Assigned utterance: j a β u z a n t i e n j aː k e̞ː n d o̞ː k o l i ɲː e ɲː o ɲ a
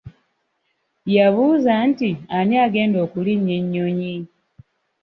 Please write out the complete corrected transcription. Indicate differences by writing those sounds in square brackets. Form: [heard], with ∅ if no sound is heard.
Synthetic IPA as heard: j a β u z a n t i [a] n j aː [ɡ] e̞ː n d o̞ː k [u] l i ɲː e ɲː o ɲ [i]